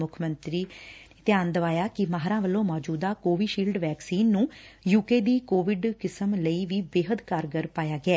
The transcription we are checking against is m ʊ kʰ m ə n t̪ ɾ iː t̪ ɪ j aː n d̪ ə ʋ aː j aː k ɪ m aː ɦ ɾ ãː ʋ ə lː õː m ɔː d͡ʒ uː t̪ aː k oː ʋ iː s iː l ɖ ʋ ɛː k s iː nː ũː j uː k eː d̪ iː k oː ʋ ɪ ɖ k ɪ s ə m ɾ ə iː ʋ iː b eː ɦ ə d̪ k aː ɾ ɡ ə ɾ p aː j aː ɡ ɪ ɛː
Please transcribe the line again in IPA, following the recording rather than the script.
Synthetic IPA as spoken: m ʊ kʰ m ə n t̪ ɾ iː t̪ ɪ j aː n d̪ ə ʋ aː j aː k ɪ m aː ɦ ɾ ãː ʋ ə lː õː m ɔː d͡ʒ uː d̪ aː k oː ʋ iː ʃ iː l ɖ ʋ ɛː k s iː nː ũː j uː k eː d̪ iː k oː ʋ ɪ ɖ k ɪ s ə m l ə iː ʋ iː b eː ɦ ə d̪ k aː ɾ ɡ ə ɾ p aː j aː ɡ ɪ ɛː